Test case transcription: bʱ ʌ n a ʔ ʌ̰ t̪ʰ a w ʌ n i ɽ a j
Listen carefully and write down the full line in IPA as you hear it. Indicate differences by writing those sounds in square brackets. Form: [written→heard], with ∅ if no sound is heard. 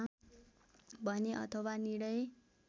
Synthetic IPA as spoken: bʱ ʌ n [a→e] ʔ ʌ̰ t̪ʰ [a→ʌ] w [ʌ→a] n i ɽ [a→ʌ] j